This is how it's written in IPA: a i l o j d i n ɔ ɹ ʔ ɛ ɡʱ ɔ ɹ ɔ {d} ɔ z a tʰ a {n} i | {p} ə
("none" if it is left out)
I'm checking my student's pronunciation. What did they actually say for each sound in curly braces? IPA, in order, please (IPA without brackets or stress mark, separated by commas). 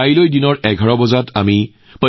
b, m, p